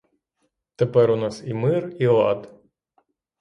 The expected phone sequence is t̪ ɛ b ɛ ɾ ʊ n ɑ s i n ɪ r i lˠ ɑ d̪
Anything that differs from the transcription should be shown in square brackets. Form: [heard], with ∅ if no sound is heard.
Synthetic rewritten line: t̪ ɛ [p] ɛ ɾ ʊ n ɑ s i [m] ɪ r i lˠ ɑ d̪